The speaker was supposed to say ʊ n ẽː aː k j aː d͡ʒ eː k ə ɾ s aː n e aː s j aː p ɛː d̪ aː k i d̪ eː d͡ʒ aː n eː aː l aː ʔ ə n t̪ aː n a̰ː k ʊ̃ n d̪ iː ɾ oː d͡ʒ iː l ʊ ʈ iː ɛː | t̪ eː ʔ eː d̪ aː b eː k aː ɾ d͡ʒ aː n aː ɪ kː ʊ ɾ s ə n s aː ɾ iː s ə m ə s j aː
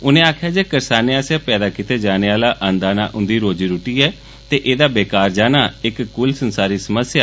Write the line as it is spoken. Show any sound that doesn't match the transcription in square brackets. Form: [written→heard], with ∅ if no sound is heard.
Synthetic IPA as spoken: ʊ n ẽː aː [k→kʰ] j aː d͡ʒ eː k ə ɾ s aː n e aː s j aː p ɛː d̪ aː k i [d̪→t̪] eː d͡ʒ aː n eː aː l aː ʔ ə n [t̪→d̪] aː n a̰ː [k→ʔ] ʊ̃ n d̪ iː ɾ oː d͡ʒ iː [l→ɾ] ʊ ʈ iː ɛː | t̪ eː ʔ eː d̪ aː b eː k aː ɾ d͡ʒ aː n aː ɪ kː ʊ [ɾ→l] s ə n s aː ɾ iː s ə m ə s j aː